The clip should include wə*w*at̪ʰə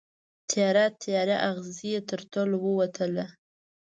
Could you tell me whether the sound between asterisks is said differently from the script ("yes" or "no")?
no